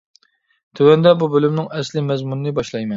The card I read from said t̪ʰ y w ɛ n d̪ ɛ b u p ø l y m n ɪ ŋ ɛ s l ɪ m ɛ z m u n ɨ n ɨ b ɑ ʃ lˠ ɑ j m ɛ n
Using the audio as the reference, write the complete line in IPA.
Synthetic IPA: t̪ʰ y w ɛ n d̪ ɛ b u b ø l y m n ɪ ŋ ɛ s l ɪ m ɛ z m u n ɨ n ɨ b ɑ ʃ lˠ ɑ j m ɛ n